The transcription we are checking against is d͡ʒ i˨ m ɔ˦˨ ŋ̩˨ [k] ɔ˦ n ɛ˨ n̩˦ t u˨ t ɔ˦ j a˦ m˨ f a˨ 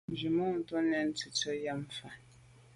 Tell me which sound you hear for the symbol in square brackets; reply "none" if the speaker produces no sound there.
t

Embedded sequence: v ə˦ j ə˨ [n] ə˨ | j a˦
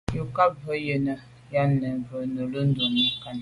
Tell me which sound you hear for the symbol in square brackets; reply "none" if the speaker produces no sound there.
n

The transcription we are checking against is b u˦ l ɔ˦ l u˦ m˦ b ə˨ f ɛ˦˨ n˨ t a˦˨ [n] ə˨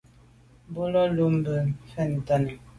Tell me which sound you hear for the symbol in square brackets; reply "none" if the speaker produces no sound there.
n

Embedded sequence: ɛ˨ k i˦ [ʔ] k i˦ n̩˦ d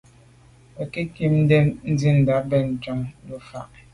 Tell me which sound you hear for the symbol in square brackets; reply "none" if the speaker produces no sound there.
none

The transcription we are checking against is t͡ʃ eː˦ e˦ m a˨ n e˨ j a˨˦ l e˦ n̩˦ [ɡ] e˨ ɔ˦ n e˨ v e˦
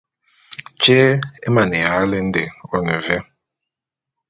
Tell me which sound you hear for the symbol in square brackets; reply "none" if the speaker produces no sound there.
d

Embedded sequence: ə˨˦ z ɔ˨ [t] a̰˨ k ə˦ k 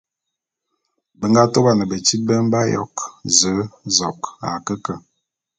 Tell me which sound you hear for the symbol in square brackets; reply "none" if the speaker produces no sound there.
k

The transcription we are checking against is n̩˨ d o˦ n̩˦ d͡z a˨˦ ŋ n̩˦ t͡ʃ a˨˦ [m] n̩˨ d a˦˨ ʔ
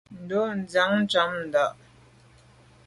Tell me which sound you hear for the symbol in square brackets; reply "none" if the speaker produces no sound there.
m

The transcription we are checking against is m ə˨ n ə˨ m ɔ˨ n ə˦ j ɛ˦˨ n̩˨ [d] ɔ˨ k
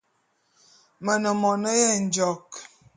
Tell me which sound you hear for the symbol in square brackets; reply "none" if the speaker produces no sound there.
d͡ʒ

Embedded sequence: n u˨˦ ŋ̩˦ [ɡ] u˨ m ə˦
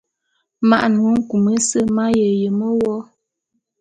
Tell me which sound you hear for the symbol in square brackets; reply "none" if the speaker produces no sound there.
k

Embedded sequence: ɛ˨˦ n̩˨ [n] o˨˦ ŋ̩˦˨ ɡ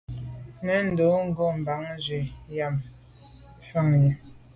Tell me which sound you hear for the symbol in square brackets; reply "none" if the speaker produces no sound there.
d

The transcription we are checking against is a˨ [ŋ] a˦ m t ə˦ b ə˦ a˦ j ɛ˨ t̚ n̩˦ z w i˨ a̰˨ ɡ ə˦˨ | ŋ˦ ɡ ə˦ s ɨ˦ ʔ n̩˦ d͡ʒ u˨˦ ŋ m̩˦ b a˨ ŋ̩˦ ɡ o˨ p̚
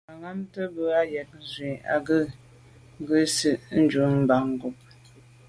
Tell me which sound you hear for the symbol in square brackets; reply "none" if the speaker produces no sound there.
ŋ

